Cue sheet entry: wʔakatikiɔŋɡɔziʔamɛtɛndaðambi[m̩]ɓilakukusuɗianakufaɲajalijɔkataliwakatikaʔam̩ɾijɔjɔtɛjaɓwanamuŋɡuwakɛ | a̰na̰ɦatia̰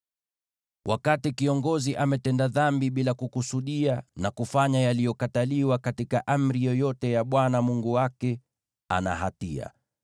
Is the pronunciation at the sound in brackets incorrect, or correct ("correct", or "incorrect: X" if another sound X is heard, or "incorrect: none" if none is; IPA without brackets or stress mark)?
incorrect: none